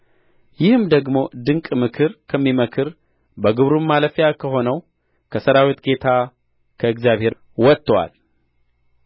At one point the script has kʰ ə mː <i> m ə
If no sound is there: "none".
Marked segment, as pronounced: i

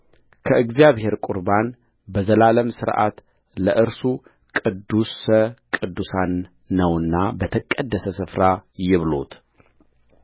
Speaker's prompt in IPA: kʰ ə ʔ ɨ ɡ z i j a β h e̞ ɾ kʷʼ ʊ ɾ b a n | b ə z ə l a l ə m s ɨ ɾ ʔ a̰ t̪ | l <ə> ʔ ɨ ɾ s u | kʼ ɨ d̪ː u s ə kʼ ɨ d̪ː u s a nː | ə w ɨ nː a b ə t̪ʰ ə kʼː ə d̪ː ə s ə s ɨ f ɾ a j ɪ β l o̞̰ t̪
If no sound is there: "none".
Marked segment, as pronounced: ə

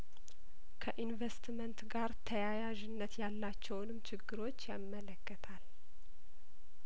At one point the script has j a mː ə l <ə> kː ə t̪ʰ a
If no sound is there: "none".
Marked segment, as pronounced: ə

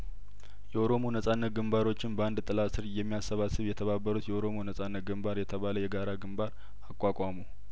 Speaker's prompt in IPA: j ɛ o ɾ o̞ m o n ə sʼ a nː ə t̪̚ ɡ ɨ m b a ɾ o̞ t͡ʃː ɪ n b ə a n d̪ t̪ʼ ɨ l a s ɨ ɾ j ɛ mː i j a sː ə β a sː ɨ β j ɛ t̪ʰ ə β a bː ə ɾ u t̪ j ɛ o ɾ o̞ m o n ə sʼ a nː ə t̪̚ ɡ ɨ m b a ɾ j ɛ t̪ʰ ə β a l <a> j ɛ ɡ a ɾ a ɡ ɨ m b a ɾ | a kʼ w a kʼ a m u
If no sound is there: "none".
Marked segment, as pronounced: ə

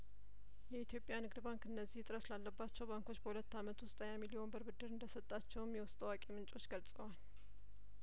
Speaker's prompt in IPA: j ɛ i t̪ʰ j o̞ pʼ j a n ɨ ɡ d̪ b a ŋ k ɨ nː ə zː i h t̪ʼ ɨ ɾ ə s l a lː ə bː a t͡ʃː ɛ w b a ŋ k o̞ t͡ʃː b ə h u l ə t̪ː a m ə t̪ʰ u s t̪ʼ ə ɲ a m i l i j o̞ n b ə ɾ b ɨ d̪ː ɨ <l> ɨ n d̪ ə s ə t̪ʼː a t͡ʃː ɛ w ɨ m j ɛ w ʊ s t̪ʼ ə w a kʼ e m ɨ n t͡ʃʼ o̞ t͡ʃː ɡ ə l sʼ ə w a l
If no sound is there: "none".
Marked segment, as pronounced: ɾ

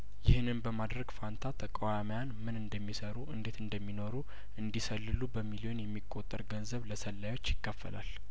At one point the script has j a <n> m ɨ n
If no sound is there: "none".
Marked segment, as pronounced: n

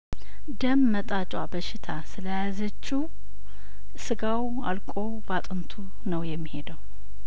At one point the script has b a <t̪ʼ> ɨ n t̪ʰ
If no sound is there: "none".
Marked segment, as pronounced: t̪ʼ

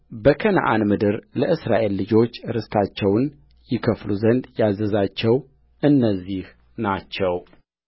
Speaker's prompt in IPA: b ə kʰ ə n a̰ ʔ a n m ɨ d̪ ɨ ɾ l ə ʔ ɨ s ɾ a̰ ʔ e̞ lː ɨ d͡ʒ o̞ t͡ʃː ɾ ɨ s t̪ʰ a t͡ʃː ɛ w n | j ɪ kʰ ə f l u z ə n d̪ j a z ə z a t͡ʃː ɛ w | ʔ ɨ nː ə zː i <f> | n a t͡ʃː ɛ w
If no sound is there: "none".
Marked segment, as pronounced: h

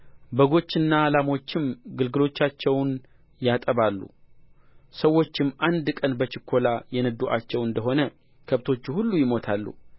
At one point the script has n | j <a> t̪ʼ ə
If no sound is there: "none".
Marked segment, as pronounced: a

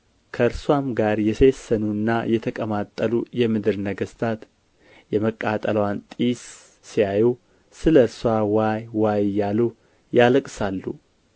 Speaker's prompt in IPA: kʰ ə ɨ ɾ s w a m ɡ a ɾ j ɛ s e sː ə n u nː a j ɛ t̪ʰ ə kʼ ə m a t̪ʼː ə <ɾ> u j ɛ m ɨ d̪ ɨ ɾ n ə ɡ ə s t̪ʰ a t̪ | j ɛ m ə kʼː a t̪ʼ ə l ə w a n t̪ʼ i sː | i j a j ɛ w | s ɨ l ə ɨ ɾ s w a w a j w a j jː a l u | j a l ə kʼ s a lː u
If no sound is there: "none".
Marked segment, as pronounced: l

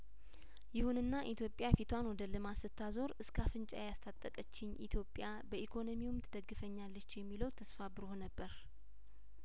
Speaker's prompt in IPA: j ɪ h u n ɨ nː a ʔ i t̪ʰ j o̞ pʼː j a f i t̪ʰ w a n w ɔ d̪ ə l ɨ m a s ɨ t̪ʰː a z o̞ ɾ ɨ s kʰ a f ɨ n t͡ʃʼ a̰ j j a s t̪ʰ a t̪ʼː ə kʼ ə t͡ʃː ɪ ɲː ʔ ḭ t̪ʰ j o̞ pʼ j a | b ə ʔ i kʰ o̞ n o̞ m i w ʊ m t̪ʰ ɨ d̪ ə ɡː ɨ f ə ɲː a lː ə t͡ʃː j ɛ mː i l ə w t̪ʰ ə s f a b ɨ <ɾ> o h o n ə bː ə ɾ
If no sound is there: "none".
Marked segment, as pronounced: ɾ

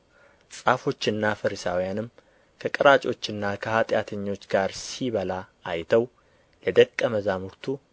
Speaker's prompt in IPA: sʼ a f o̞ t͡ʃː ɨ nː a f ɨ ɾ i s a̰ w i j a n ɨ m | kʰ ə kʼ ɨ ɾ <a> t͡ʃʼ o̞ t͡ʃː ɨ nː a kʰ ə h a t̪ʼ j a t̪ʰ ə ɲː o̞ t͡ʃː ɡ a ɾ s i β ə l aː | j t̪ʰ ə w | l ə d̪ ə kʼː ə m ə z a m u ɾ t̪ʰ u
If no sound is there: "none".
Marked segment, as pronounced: a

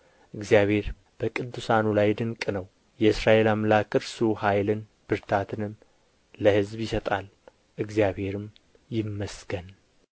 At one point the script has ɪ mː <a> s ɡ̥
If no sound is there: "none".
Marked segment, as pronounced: ə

